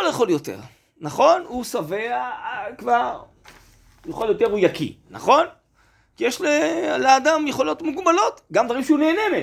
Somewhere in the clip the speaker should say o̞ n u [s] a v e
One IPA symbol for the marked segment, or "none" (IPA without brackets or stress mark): s